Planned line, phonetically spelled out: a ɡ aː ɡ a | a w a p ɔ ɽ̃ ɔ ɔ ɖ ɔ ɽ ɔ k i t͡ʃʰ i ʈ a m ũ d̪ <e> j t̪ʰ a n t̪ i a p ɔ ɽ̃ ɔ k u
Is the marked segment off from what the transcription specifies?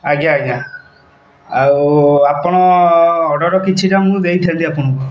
no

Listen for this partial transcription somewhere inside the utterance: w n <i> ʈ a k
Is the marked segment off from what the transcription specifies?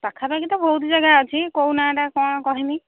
yes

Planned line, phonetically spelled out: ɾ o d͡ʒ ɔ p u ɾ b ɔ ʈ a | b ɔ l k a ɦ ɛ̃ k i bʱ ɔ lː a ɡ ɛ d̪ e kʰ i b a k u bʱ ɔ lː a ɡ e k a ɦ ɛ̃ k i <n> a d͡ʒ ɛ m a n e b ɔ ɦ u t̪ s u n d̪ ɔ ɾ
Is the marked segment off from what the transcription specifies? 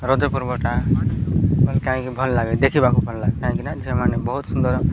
no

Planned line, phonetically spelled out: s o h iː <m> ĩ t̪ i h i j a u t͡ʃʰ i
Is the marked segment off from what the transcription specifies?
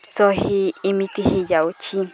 no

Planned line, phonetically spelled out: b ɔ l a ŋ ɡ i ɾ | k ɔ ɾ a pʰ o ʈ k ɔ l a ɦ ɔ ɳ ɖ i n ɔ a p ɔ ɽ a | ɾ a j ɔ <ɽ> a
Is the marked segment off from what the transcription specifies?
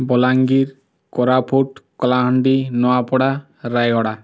no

